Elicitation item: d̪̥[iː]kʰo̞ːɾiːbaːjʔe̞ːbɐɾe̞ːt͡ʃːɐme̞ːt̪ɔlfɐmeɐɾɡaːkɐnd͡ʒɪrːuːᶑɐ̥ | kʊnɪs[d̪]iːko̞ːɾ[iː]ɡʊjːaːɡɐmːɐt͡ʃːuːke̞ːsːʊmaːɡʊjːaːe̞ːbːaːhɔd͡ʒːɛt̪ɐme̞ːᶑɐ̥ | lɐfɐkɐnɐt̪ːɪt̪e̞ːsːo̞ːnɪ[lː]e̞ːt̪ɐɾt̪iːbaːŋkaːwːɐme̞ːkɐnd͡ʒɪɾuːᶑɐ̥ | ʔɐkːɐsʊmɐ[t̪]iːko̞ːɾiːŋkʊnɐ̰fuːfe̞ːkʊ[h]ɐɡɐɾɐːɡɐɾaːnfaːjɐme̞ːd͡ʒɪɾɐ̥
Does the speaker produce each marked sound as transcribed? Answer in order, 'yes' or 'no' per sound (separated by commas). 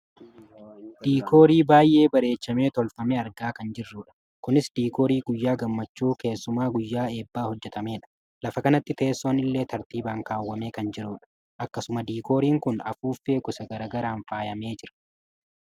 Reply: yes, yes, yes, yes, no, no